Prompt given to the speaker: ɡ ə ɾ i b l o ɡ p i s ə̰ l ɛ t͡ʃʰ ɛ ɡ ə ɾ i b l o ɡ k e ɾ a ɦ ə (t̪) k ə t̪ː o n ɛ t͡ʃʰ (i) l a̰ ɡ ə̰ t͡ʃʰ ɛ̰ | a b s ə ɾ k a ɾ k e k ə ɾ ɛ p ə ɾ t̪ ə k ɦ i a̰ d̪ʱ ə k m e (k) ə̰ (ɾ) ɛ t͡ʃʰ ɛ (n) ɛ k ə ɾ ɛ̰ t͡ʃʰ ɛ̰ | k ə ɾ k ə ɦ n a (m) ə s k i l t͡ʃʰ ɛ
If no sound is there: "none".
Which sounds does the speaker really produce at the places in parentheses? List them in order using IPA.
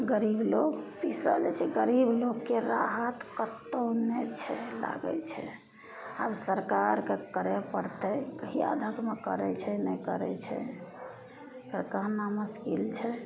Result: t̪, ɛ, k, ɾ, n, m

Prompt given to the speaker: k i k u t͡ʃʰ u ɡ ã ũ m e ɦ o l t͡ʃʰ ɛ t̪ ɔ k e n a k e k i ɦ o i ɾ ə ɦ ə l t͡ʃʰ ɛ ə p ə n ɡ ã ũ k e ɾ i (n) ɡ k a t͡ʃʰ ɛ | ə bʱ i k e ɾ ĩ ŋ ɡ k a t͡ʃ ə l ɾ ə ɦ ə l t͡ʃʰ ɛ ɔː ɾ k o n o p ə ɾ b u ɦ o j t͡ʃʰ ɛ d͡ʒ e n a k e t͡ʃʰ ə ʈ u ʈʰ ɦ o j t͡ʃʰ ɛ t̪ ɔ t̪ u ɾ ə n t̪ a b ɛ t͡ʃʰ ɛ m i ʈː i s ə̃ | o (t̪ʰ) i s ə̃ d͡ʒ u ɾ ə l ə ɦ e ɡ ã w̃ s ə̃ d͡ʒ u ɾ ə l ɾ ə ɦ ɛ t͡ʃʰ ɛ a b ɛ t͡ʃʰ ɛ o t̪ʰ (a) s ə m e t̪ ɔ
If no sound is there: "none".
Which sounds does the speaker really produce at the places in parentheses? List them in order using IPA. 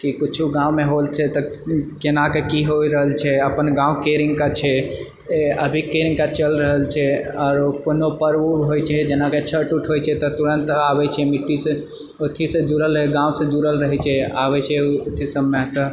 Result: ŋ, t̪ʰ, i

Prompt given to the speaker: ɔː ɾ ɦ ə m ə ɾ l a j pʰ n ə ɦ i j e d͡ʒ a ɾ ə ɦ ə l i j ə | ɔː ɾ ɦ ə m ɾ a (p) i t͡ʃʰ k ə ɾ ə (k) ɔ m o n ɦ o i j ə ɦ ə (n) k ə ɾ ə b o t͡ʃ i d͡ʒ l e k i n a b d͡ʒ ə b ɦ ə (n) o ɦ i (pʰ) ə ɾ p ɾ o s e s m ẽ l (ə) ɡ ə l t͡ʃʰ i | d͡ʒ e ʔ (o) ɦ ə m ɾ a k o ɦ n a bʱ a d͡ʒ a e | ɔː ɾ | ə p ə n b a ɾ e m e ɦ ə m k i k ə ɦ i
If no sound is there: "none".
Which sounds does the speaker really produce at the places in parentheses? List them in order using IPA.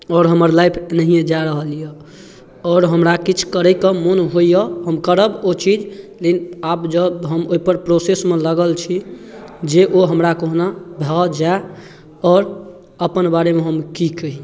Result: k, k, m, m, p, ə, o

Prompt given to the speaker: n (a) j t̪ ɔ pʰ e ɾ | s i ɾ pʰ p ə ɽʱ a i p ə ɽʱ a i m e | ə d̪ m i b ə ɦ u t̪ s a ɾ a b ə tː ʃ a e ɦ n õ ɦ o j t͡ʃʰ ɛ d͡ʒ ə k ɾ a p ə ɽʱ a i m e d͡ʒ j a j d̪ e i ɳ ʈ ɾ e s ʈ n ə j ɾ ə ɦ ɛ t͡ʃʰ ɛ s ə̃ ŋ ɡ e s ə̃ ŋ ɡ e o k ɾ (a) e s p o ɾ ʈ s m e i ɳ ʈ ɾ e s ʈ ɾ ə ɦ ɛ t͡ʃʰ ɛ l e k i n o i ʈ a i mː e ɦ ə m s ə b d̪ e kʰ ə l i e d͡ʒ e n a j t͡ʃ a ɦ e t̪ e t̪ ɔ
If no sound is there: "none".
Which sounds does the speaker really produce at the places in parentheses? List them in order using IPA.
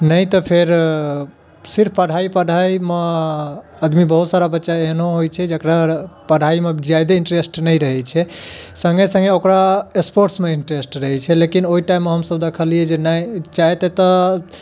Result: ə, a

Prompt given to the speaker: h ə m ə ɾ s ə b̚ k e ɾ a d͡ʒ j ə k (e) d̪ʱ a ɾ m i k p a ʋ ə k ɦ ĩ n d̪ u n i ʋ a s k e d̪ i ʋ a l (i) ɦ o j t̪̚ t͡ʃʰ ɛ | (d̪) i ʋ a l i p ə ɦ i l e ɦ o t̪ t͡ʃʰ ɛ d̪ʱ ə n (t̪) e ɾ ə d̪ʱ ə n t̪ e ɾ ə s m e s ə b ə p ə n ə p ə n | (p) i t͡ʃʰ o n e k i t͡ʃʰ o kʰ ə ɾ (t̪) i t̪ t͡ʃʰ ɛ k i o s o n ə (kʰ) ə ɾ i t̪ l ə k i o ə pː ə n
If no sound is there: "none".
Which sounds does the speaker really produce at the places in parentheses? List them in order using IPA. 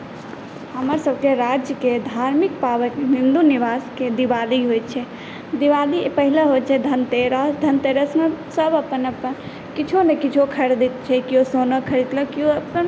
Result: e, i, d̪, t̪, k, d̪, kʰ

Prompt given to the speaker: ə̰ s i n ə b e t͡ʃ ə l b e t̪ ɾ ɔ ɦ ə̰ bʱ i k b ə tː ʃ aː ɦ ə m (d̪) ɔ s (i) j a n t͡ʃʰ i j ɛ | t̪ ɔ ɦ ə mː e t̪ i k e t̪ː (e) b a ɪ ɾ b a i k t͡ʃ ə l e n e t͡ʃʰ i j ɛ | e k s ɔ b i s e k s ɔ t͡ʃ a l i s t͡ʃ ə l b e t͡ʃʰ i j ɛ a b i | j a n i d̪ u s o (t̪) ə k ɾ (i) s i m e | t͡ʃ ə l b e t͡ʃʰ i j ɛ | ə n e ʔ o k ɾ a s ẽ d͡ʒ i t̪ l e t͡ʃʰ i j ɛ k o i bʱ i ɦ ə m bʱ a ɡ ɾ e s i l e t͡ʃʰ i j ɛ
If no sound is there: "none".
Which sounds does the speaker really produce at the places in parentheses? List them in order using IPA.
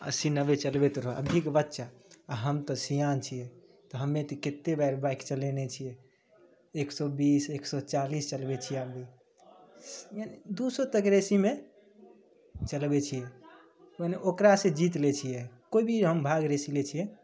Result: t̪, i, e, t̪, e

